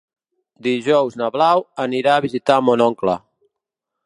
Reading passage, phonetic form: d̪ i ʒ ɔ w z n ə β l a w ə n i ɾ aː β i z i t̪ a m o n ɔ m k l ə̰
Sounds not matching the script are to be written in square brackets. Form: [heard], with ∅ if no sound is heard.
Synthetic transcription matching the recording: d̪ i ʒ ɔ w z n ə β l a w ə n i ɾ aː β i z i t̪ a m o n ɔ [ŋ] k l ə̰